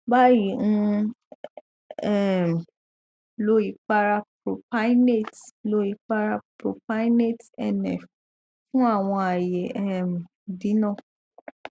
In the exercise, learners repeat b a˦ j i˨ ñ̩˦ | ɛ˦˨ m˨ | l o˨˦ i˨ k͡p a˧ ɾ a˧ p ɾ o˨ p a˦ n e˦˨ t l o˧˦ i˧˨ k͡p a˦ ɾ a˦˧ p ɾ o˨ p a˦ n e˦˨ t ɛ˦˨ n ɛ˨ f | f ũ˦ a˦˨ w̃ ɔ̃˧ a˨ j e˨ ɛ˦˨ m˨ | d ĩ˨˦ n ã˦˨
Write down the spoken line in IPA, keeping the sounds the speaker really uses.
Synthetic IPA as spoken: b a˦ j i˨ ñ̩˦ | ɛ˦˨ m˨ | l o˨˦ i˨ k͡p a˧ ɾ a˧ p ɾ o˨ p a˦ n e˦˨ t l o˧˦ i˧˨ k͡p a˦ ɾ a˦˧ p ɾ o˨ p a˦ n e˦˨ t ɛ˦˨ n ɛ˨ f | f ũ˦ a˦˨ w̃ ɔ̃˧ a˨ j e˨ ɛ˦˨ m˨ | d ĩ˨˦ n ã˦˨